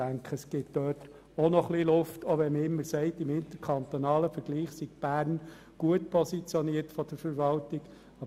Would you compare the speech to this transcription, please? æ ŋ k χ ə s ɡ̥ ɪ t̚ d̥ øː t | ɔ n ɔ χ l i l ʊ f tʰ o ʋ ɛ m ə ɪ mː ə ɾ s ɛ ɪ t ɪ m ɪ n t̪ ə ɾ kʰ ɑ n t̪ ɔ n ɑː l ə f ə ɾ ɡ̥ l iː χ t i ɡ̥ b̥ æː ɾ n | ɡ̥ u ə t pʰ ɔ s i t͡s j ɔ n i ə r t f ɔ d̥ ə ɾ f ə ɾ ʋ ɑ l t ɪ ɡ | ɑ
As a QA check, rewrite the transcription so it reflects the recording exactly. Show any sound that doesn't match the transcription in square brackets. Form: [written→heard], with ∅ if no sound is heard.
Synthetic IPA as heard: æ ŋ k χ ə s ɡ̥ ɪ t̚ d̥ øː t | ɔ n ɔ χ l i l ʊ f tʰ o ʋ ɛ m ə ɪ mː ə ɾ s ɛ ɪ t ɪ m ɪ n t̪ ə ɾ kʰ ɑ n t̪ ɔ n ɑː l ə f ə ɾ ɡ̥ l iː χ [t→s] i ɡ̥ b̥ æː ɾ n | ɡ̥ u ə t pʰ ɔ s i t͡s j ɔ n i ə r t f ɔ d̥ ə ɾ f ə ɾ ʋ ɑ l t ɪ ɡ | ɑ